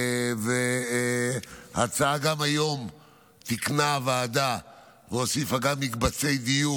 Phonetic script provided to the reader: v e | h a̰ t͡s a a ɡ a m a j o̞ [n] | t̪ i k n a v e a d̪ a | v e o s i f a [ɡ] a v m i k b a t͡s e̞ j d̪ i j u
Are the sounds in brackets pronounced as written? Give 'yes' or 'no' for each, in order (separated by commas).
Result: no, yes